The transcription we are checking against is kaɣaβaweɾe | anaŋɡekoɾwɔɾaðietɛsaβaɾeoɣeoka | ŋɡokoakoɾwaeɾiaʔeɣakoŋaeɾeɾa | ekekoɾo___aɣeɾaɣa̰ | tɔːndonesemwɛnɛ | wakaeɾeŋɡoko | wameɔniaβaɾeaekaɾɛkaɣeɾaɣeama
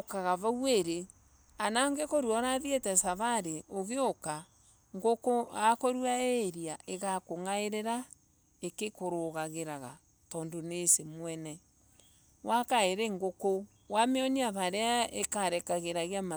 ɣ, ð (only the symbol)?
ɣ